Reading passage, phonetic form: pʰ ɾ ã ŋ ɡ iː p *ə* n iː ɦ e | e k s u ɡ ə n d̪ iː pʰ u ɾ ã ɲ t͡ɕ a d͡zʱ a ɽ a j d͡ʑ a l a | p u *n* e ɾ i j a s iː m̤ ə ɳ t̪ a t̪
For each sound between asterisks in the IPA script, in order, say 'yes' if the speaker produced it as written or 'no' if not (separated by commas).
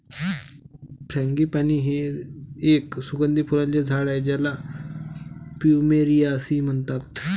no, no